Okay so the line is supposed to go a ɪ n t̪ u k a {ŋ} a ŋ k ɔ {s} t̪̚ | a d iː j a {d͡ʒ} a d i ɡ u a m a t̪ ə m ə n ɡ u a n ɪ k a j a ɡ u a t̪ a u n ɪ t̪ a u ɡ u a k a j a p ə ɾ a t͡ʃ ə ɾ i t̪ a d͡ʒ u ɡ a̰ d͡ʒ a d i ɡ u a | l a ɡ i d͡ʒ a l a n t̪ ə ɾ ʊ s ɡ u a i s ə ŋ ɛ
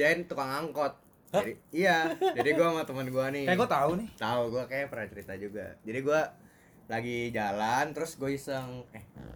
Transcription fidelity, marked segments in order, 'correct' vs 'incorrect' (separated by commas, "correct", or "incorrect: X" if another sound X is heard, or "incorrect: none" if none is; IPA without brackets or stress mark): correct, incorrect: none, correct